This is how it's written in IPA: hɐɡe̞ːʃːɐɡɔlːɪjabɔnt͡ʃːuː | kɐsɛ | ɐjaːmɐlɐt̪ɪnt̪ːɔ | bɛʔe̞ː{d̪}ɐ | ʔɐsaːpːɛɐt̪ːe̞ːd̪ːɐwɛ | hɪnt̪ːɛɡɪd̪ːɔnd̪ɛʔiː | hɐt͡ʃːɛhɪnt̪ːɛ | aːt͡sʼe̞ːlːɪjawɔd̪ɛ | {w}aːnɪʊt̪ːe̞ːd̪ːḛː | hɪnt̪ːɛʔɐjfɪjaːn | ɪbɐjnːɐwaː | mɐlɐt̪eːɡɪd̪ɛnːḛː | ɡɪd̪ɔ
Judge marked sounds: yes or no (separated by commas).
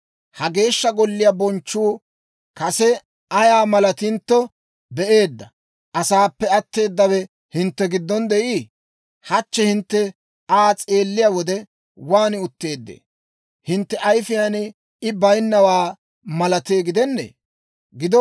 no, yes